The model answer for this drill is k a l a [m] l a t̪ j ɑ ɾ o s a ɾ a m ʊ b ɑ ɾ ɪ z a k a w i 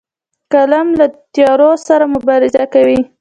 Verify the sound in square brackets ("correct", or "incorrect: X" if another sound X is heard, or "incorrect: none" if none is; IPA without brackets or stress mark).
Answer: correct